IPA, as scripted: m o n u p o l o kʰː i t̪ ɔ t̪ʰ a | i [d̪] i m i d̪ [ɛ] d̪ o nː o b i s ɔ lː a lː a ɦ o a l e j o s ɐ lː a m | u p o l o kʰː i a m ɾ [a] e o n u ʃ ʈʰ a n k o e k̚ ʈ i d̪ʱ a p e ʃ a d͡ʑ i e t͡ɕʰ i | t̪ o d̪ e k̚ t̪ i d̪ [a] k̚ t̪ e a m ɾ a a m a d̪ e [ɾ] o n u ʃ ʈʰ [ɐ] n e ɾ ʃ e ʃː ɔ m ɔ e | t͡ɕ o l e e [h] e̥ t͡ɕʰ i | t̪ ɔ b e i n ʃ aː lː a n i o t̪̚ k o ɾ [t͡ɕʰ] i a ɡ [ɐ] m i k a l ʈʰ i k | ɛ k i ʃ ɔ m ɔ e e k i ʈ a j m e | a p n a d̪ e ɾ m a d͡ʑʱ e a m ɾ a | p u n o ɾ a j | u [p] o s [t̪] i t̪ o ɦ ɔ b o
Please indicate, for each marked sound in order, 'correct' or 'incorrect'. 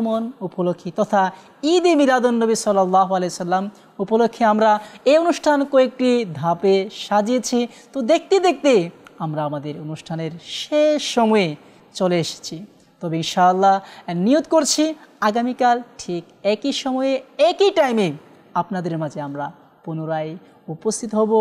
correct, incorrect: a, correct, incorrect: e, correct, incorrect: a, incorrect: ʃ, correct, incorrect: a, correct, incorrect: t̪ʰ

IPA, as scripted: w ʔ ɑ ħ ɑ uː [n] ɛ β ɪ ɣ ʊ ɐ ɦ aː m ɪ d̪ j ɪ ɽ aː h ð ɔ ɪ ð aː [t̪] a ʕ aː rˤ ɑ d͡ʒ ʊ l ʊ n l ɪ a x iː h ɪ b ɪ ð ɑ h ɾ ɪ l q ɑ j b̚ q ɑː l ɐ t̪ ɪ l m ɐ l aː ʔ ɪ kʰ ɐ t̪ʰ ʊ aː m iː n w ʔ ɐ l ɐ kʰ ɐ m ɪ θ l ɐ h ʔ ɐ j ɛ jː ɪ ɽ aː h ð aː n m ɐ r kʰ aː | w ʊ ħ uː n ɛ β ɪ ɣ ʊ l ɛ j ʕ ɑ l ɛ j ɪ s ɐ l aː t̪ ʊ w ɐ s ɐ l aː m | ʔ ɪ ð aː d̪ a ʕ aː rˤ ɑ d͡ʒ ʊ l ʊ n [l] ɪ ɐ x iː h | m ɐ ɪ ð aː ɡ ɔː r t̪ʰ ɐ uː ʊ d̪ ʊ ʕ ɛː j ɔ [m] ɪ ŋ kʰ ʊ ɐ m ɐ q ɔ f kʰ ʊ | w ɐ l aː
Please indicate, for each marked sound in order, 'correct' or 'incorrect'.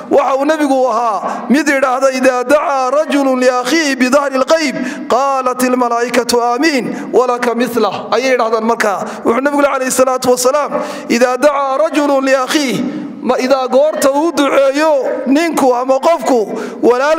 correct, incorrect: d̪, correct, incorrect: n

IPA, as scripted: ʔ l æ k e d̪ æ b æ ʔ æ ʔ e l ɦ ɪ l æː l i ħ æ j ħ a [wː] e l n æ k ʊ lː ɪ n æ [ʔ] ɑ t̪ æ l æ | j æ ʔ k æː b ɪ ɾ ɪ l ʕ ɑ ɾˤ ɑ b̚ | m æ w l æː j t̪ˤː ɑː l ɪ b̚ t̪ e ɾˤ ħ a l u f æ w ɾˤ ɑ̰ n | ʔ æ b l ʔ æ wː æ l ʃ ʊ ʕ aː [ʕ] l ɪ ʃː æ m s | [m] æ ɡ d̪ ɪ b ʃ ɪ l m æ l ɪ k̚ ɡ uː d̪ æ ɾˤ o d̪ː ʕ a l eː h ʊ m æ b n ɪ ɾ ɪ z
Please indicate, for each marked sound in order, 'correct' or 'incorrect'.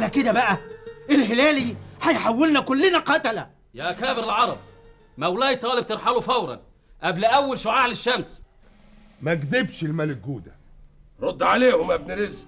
correct, incorrect: q, correct, correct

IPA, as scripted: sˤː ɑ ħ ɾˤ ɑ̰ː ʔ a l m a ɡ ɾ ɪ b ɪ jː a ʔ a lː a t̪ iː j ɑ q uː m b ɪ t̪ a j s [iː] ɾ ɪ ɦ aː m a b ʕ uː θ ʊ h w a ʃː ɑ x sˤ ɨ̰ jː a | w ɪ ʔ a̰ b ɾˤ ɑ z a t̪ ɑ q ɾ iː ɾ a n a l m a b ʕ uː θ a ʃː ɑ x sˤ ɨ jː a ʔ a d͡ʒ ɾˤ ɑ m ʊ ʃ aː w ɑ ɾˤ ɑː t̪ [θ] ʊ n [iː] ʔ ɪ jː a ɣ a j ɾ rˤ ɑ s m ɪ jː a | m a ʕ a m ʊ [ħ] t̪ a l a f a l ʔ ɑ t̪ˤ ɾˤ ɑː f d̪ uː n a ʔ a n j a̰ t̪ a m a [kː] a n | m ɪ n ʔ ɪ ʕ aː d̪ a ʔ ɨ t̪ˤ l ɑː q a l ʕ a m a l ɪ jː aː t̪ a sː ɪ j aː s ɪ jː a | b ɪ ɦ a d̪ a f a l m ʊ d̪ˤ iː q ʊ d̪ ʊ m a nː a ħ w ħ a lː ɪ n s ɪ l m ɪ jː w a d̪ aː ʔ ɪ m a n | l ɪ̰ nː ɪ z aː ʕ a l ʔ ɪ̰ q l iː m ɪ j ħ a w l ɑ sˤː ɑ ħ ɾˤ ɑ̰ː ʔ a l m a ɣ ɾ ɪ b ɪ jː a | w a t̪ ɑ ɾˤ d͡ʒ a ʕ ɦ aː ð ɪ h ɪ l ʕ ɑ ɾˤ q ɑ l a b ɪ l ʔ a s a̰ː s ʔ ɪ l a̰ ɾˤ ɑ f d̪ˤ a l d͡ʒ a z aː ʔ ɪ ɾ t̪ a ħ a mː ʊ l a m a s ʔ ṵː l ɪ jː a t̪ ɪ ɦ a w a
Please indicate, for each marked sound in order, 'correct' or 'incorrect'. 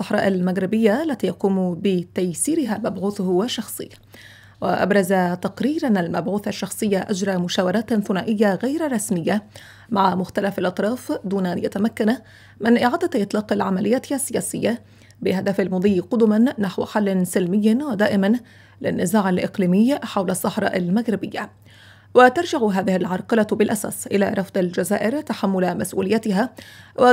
correct, correct, incorrect: aː, incorrect: x, correct

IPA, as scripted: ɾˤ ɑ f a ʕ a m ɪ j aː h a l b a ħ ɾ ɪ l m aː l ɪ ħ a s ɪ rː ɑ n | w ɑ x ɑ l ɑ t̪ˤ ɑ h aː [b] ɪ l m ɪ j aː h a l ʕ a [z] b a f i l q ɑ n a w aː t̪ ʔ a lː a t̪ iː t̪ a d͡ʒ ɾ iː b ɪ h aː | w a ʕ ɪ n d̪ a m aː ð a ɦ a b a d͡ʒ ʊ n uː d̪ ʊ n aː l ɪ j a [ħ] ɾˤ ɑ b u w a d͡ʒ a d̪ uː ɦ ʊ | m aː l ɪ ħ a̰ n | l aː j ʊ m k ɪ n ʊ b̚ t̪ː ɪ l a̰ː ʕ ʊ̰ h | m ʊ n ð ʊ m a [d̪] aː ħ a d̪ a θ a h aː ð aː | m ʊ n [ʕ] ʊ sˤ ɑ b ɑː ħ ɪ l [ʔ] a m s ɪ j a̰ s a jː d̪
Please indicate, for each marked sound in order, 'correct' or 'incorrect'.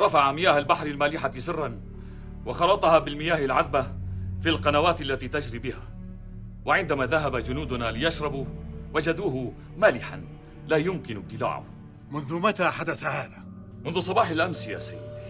correct, incorrect: ð, incorrect: ʃ, incorrect: t̪, incorrect: ð, correct

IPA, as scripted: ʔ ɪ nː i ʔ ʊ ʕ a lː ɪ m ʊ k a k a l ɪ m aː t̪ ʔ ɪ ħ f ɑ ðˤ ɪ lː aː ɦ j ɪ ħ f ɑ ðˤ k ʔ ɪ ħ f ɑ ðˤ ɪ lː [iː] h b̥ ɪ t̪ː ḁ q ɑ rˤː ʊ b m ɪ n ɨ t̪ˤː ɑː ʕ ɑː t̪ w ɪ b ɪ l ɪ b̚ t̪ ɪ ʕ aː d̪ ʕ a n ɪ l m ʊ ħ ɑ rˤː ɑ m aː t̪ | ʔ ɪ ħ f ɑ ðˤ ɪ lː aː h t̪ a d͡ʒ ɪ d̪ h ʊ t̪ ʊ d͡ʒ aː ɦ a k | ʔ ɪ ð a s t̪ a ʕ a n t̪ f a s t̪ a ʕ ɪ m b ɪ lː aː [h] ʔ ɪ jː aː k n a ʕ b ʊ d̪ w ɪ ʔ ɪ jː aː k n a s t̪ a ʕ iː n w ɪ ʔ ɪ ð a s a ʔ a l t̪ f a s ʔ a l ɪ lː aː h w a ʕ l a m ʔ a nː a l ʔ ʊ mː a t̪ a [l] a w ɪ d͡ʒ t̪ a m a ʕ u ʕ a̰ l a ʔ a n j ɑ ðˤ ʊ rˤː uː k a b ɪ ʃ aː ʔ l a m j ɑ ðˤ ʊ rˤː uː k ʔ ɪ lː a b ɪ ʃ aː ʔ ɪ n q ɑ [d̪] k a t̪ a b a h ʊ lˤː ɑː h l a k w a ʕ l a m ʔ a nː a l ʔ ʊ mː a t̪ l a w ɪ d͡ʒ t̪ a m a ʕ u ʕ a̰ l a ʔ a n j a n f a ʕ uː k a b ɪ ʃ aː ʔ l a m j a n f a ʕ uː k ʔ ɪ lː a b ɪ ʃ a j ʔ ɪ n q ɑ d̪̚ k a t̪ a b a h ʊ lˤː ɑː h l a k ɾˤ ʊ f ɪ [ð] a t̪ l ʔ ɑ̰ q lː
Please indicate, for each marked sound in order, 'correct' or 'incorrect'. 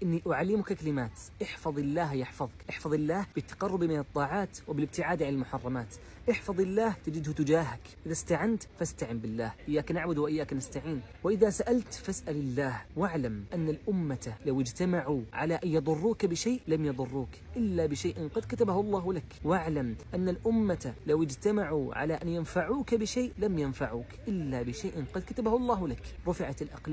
incorrect: aː, correct, correct, correct, incorrect: ʕ

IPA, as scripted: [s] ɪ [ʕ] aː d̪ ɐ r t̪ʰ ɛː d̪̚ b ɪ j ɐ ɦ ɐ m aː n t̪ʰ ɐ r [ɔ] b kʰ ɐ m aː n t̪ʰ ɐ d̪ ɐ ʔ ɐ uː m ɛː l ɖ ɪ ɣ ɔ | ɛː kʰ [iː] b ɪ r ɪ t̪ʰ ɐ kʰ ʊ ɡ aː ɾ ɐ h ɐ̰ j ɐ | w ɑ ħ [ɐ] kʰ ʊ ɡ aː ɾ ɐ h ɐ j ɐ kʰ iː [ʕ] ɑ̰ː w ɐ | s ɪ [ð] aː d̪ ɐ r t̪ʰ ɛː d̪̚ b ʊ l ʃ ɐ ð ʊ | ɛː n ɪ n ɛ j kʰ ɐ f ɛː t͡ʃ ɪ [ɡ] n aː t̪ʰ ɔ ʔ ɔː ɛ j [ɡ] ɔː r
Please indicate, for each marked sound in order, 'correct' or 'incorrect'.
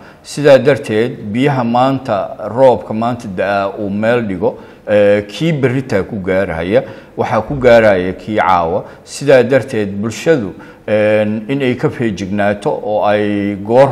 correct, incorrect: ð, incorrect: ɔː, correct, incorrect: ɑ, correct, correct, correct, correct

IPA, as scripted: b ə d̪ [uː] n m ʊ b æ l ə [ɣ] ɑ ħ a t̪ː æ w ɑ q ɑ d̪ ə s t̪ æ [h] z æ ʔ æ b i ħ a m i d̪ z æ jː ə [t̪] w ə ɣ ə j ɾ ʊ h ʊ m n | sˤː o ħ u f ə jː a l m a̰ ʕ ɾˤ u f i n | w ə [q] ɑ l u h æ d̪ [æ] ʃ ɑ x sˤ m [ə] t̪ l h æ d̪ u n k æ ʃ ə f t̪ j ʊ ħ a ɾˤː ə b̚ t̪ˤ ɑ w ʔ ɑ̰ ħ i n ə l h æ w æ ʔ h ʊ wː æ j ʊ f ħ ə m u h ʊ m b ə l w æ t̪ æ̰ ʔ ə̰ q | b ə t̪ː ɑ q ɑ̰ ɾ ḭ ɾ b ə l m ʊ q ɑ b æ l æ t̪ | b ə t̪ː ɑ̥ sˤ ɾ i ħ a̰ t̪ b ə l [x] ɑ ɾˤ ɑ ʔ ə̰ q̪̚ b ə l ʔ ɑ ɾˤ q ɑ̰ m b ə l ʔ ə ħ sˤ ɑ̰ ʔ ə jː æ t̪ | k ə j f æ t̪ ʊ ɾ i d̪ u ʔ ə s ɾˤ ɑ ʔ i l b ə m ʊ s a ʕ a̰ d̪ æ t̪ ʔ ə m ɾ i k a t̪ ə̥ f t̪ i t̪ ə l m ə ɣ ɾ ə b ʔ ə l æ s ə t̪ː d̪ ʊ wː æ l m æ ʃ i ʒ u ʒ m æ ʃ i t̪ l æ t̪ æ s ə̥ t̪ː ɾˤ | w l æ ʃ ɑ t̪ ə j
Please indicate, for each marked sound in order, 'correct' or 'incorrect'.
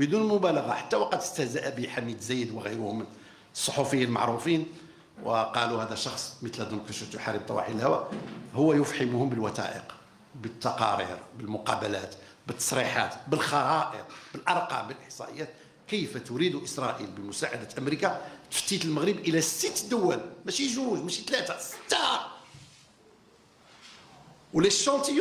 incorrect: u, correct, correct, incorrect: d̪, correct, correct, correct, correct

